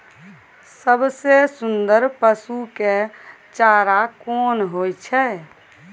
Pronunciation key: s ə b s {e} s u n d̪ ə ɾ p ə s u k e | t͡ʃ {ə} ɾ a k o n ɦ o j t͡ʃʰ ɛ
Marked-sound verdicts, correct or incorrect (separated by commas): correct, incorrect